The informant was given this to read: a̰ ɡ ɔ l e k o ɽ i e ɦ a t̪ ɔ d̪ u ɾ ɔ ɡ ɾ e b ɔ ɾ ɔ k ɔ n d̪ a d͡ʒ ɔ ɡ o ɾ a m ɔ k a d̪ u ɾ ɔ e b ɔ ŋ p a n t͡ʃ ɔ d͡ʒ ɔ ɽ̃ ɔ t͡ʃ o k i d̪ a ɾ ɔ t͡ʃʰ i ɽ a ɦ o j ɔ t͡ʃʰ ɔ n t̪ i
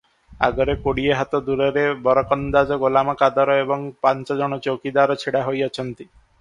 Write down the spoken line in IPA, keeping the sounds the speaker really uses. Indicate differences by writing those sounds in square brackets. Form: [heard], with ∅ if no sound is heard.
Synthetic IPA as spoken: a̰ ɡ ɔ [ɾ] e k o ɽ i e ɦ a t̪ ɔ d̪ u ɾ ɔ [∅] ɾ e b ɔ ɾ ɔ k ɔ n d̪ a d͡ʒ ɔ ɡ o [l] a m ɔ k a d̪ [ɔ] ɾ ɔ e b ɔ ŋ p a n t͡ʃ ɔ d͡ʒ ɔ ɽ̃ ɔ t͡ʃ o k i d̪ a ɾ ɔ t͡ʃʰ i ɽ a ɦ o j ɔ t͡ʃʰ ɔ n t̪ i